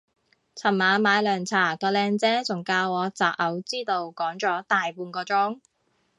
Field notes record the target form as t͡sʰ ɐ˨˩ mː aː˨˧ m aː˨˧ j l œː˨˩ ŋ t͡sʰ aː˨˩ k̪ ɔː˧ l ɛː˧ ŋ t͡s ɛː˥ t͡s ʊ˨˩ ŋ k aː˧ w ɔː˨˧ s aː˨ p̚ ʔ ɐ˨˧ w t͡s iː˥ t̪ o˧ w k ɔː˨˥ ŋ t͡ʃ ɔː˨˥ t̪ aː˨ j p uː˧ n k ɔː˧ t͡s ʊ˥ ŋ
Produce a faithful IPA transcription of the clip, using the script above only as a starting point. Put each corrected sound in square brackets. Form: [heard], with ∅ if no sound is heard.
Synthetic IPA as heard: t͡sʰ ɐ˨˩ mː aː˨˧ m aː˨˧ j l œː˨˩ ŋ t͡sʰ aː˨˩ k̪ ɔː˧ l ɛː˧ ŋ t͡s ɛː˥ t͡s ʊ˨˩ ŋ k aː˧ w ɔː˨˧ [t͡s] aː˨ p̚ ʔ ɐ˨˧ w t͡s iː˥ t̪ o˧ w k ɔː˨˥ ŋ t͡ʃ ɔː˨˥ t̪ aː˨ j p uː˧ n k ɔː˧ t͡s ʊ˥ ŋ